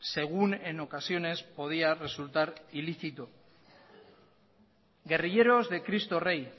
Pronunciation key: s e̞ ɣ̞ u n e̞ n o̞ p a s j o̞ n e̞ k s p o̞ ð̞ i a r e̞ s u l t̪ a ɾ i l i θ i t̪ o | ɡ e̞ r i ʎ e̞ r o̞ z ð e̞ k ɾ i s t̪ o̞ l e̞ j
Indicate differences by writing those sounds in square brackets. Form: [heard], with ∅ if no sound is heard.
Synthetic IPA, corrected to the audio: s e̞ ɣ̞ u n e̞ n o̞ [k] a s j o̞ n e̞ [∅] s p o̞ ð̞ i a r e̞ s u l t̪ a ɾ i l i θ i t̪ o | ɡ e̞ r i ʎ e̞ [ɾ] o̞ z ð e̞ k ɾ i s t̪ o̞ [r] e̞ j